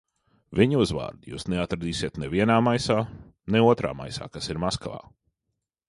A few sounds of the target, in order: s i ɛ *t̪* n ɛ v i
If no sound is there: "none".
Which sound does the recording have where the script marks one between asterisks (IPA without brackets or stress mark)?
t̪